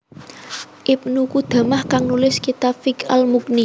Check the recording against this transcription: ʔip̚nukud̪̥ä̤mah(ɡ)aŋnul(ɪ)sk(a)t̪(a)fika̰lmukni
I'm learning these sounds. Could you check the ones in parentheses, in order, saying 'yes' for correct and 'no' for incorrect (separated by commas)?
no, yes, no, yes